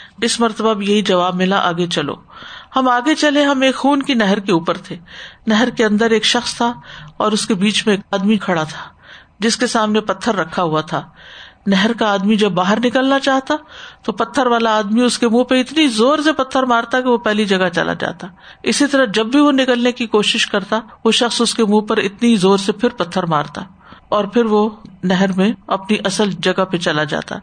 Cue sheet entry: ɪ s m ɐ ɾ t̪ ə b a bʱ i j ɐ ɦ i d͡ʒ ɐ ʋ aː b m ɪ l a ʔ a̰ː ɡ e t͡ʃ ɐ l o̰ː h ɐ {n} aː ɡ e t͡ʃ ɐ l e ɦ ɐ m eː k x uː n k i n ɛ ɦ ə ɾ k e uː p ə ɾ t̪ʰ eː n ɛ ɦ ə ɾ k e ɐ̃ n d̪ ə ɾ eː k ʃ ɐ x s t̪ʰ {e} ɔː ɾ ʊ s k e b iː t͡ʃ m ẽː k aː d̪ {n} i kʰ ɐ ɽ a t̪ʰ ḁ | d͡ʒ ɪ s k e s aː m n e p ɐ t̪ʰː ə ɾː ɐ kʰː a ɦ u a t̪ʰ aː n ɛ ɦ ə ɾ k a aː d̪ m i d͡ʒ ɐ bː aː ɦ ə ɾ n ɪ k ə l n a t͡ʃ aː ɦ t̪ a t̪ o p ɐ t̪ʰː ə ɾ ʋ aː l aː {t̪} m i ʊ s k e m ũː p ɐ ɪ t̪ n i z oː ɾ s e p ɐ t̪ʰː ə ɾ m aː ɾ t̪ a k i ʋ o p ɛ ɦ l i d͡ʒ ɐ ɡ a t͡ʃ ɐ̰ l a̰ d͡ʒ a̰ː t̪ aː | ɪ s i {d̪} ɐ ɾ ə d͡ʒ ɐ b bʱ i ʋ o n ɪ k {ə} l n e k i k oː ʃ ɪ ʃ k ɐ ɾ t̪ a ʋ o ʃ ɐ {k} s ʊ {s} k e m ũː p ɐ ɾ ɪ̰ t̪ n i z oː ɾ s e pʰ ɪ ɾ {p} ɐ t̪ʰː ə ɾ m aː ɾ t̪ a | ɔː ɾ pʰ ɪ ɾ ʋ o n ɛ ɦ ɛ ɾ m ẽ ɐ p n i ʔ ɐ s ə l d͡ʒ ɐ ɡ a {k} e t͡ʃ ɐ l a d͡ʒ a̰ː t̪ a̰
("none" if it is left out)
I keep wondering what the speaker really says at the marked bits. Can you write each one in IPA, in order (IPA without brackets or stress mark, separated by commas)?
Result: m, a, m, d̪, t̪, ə, x, s, p, p